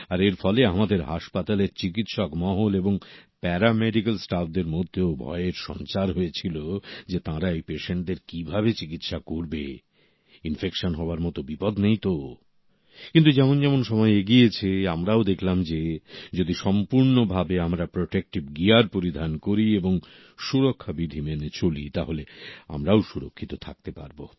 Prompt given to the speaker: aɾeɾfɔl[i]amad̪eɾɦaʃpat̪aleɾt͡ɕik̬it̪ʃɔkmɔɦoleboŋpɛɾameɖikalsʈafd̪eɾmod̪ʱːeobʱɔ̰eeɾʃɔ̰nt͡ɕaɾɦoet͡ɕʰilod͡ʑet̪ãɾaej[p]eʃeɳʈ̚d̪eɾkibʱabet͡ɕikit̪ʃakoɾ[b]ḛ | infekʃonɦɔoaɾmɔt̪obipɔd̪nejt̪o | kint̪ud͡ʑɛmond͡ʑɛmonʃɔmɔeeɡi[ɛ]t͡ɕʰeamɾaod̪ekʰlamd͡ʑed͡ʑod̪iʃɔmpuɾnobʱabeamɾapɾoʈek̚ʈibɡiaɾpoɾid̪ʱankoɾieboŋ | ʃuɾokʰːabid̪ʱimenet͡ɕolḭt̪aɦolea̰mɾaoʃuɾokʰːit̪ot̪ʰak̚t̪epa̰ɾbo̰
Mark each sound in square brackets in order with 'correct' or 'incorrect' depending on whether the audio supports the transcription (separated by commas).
incorrect, correct, correct, incorrect